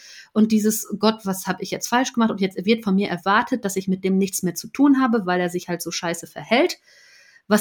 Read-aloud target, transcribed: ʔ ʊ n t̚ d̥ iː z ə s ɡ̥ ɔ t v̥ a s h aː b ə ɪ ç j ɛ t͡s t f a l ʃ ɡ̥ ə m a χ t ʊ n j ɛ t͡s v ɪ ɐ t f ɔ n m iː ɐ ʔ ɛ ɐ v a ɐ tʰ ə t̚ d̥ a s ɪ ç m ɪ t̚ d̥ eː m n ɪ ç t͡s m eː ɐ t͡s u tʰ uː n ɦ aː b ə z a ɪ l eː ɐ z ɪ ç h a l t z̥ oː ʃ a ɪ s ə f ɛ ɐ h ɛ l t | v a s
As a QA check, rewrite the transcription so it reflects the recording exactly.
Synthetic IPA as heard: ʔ ʊ n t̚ d̥ iː z ə s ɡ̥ ɔ t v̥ a s h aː b ə ɪ ç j ɛ t͡s t f a l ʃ ɡ̥ ə m a χ t ʊ n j ɛ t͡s v ɪ ɐ t f ɔ n m iː ɐ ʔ ɛ ɐ v a ɐ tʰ ə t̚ d̥ a s ɪ ç m ɪ t̚ d̥ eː m n ɪ ç t͡s m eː ɐ t͡s u tʰ uː n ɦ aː b ə v a ɪ l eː ɐ z ɪ ç h a l t z̥ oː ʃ a ɪ s ə f ɛ ɐ h ɛ l t | v a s